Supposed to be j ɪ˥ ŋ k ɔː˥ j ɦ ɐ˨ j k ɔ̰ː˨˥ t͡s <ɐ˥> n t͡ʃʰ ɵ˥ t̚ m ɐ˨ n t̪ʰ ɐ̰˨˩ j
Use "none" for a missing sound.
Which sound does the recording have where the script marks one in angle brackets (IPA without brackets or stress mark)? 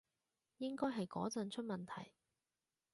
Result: ɐ˨